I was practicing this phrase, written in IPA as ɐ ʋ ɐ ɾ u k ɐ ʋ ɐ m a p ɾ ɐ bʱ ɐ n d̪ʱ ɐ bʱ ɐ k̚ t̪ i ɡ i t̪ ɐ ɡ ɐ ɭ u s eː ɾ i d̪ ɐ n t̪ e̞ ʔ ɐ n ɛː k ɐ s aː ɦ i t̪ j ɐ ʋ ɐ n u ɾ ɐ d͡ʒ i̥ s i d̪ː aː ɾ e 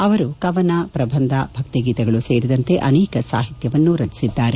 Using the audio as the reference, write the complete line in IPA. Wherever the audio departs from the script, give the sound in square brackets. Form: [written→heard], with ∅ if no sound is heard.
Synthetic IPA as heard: ɐ ʋ ɐ ɾ u k ɐ ʋ ɐ [m→n] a p ɾ ɐ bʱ ɐ n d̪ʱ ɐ bʱ ɐ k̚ t̪ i ɡ [i→iː] t̪ ɐ ɡ ɐ ɭ u s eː ɾ i d̪ ɐ n t̪ e̞ ʔ ɐ n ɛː k ɐ s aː ɦ i t̪ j ɐ ʋ ɐ [n→nː] u ɾ ɐ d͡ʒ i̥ s i d̪ː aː ɾ e

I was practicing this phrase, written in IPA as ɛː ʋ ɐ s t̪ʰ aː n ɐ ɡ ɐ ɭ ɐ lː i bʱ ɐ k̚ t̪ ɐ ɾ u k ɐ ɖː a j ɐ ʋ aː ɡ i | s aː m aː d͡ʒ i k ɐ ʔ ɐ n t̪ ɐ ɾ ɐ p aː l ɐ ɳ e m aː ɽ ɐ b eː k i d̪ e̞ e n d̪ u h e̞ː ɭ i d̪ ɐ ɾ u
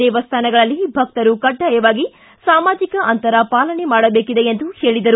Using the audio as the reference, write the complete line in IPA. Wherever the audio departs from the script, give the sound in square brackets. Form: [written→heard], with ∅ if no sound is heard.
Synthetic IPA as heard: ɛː ʋ ɐ s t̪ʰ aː n ɐ ɡ ɐ ɭ ɐ lː i bʱ ɐ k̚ t̪ ɐ ɾ u k ɐ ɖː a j ɐ ʋ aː ɡ i | s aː m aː d͡ʒ i k ɐ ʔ ɐ n t̪ ɐ ɾ ɐ p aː l ɐ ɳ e m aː ɽ ɐ b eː k i d̪ e̞ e n d̪ u h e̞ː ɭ i d̪ ɐ ɾ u

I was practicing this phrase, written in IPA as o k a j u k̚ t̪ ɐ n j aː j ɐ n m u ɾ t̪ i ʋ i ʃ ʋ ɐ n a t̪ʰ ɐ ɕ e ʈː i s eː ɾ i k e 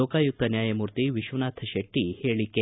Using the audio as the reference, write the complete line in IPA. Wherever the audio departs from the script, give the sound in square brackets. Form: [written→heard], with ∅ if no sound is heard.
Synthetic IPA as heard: o k a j u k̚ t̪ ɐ n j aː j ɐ [n→∅] m u ɾ t̪ i ʋ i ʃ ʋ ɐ n a t̪ʰ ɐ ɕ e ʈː i [s→h] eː [ɾ→ɭ] i k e

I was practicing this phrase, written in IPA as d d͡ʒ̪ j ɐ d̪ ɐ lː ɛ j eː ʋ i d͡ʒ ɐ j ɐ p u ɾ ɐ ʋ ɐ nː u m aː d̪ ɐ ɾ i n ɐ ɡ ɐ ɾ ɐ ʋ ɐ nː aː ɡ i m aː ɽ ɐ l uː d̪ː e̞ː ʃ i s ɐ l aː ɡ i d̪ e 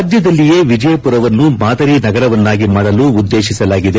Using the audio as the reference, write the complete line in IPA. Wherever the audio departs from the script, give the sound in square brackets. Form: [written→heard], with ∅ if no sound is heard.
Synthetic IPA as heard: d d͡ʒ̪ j ɐ d̪ ɐ lː [ɛ→i] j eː ʋ i d͡ʒ ɐ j ɐ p u ɾ ɐ ʋ ɐ nː u m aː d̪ ɐ ɾ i n ɐ ɡ ɐ ɾ ɐ ʋ ɐ nː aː ɡ i m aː ɽ ɐ l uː d̪ː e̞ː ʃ i s ɐ l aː ɡ i d̪ e

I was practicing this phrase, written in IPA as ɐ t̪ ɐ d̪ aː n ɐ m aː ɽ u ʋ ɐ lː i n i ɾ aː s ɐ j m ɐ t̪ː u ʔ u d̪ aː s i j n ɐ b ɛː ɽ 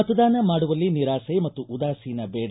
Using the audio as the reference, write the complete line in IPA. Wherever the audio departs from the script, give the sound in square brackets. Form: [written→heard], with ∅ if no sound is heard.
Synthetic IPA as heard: ɐ t̪ ɐ d̪ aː n ɐ m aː ɽ u ʋ ɐ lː i n i ɾ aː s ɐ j m ɐ t̪ː u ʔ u d̪ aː s i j n ɐ b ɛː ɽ

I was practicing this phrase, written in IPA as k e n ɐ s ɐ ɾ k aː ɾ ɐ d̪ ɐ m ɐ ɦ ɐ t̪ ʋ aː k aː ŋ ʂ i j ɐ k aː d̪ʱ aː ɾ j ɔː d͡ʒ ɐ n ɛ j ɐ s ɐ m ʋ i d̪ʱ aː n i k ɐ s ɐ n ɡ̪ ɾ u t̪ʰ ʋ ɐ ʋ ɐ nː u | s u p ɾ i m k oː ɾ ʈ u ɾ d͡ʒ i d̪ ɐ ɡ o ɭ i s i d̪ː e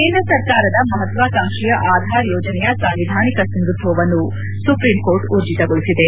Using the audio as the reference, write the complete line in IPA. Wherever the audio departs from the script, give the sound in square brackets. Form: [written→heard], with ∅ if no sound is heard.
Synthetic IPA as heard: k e n ɐ s ɐ ɾ k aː ɾ ɐ d̪ ɐ m ɐ ɦ ɐ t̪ ʋ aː k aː ŋ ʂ i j ɐ [k→ʔ] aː d̪ʱ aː ɾ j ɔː d͡ʒ ɐ n ɛ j ɐ s ɐ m ʋ i d̪ʱ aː n i k ɐ s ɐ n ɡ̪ ɾ u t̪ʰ ʋ ɐ ʋ ɐ nː u | s u p ɾ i m k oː ɾ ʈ u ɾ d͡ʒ i [d̪→t̪] ɐ ɡ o ɭ i s i [d̪ː→d̪] e

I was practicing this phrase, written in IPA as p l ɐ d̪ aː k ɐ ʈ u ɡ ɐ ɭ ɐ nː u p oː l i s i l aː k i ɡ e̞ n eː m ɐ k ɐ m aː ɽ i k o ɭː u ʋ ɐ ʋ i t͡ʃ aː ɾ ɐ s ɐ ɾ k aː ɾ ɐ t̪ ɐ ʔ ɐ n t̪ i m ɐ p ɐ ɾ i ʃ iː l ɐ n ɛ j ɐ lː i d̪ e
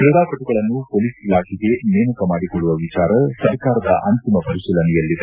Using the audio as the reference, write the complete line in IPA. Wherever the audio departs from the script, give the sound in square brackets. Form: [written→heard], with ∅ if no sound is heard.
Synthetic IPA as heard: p [l→ɾ] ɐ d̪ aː k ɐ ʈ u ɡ ɐ ɭ ɐ nː u p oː l i s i l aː k i ɡ e̞ n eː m ɐ k ɐ m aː ɽ i k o ɭː u ʋ ɐ ʋ i t͡ʃ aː ɾ ɐ s ɐ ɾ k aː ɾ ɐ [t̪→d̪] ɐ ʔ ɐ n t̪ i m ɐ p ɐ ɾ i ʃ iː l ɐ n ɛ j ɐ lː i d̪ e

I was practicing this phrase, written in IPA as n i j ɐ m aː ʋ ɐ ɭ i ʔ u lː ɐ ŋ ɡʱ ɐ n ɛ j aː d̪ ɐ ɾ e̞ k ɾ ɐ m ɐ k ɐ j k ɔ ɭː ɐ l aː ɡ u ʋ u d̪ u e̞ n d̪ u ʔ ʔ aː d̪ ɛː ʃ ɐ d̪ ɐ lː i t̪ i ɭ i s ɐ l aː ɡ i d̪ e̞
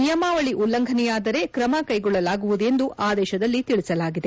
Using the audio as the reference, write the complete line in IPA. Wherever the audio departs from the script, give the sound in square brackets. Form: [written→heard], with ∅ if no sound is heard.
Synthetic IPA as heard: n i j ɐ m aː ʋ ɐ ɭ i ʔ u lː ɐ ŋ ɡʱ ɐ n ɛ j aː d̪ ɐ ɾ e̞ k ɾ ɐ m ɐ k ɐ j [k→ɡ] ɔ ɭː ɐ l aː ɡ u ʋ u d̪ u e̞ n d̪ u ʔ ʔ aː d̪ ɛː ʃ ɐ d̪ ɐ lː i t̪ i ɭ i s ɐ l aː ɡ i d̪ e̞

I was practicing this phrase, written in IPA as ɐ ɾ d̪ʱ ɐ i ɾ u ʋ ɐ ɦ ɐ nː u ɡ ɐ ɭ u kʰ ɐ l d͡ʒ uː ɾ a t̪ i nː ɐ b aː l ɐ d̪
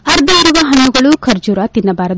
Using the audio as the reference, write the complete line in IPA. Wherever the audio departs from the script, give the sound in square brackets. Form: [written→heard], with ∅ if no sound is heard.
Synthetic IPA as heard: ɐ ɾ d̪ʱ ɐ i ɾ u ʋ ɐ ɦ ɐ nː u ɡ ɐ ɭ u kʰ ɐ [l→ɾ] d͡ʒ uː ɾ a t̪ i nː ɐ b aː [l→ɾ] ɐ d̪

